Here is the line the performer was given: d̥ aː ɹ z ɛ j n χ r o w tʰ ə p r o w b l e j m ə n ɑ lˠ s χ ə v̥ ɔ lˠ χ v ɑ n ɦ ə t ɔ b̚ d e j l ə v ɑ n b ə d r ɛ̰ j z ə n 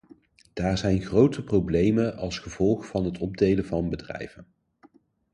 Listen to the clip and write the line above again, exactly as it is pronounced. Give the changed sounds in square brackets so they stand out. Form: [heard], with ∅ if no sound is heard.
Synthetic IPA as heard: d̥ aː ɹ z ɛ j n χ r o w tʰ ə p r o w b l e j m ə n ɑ lˠ s χ ə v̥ ɔ lˠ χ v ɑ n ɦ ə t ɔ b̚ d e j l ə v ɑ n b ə d r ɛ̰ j [v] ə n